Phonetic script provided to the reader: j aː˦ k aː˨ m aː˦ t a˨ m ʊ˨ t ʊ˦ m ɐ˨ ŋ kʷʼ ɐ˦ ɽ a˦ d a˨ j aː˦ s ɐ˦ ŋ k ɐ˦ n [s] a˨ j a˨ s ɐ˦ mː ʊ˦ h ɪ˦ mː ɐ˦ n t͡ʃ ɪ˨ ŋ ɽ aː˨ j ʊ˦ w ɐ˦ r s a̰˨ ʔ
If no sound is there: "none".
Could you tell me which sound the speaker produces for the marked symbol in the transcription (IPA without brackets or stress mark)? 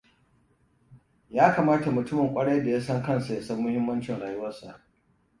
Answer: s